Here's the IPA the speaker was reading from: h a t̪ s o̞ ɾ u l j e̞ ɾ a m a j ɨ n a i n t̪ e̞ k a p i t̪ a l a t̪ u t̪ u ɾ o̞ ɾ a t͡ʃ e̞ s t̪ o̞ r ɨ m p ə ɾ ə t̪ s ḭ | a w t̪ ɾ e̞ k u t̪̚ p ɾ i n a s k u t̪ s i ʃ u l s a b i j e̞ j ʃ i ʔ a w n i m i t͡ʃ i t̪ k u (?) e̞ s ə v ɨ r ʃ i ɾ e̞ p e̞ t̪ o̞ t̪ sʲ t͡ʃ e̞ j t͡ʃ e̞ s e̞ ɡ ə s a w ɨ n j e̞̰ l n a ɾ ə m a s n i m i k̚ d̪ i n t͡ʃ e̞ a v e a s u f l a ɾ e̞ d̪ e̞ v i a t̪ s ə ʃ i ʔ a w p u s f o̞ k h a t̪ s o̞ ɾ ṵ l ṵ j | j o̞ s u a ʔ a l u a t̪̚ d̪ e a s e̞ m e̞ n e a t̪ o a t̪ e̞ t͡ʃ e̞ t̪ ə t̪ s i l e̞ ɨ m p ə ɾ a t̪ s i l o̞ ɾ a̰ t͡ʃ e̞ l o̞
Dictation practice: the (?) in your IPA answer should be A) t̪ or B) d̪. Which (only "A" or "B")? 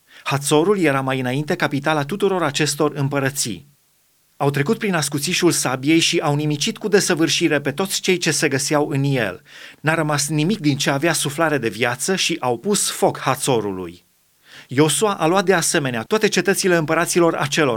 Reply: B